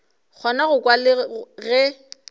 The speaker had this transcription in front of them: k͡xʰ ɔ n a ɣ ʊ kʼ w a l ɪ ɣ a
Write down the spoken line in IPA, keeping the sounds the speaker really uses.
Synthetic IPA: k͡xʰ ɔ n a ɣ ʊ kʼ w a l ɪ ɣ ɛ